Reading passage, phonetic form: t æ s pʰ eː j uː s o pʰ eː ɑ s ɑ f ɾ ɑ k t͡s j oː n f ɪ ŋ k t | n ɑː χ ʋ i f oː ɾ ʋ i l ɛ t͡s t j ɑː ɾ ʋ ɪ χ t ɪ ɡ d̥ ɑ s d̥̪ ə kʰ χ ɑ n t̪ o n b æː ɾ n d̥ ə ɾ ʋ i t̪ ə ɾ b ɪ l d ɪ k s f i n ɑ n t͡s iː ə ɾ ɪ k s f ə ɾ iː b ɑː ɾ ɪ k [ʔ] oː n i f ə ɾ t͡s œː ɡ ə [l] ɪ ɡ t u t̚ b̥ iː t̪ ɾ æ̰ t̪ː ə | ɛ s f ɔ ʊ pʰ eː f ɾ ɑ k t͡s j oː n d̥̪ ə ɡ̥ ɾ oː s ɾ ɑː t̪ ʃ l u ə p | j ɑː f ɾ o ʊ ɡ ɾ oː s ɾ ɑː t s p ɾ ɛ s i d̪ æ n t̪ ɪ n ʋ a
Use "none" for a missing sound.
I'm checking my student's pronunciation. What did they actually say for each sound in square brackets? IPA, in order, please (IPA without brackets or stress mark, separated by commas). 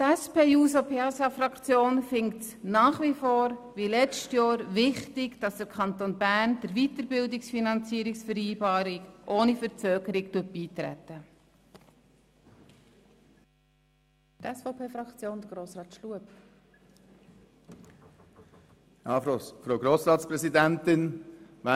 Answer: ʔ, ɾ